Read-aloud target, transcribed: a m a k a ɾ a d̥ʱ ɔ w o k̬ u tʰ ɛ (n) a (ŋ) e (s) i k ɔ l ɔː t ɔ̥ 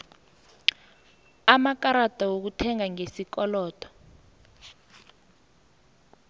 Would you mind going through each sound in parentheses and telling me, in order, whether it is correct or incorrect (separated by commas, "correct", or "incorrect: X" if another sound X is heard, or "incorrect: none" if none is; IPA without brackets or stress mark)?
incorrect: ŋ, correct, correct